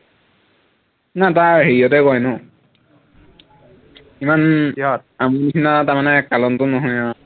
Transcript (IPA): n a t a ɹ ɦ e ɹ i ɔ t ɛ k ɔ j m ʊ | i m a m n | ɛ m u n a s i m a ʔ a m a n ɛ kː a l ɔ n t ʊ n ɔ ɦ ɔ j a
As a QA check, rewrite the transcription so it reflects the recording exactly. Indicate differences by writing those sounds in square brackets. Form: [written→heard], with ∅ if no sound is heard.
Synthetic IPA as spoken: n a t a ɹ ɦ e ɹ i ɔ t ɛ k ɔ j [m→n] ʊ | i m a [m→∅] n | [ɛ→a] m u n [a→i] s i [m→n] a [ʔ→t] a m a n ɛ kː a l ɔ n t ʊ n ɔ ɦ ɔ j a